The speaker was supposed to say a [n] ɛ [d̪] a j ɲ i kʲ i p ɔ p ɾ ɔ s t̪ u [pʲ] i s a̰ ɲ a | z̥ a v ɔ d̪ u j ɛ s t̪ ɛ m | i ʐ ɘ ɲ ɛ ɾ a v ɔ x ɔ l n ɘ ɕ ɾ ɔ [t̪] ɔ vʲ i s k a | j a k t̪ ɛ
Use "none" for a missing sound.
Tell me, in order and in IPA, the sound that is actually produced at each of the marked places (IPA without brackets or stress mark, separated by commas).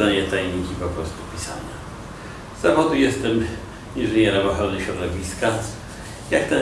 ɲ, t̪, pʲ, d̪